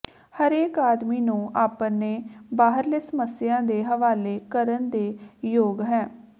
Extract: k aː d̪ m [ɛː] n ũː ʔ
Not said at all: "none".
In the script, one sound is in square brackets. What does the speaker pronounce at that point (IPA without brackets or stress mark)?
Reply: iː